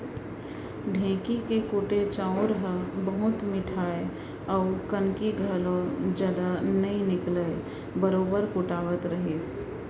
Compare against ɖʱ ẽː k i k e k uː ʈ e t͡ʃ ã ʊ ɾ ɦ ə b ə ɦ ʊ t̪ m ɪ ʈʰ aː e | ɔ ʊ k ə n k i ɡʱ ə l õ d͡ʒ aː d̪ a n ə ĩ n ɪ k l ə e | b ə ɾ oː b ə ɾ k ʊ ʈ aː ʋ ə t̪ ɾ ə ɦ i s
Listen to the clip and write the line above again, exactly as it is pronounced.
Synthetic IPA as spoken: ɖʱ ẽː k i k e k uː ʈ e t͡ʃ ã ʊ ɾ ɦ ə b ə ɦ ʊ t̪ m ɪ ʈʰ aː e | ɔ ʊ k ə n k i ɡʱ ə l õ d͡ʒ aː d̪ a n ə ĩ n ɪ k l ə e | b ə ɾ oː b ə ɾ k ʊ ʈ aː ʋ ə t̪ ɾ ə ɦ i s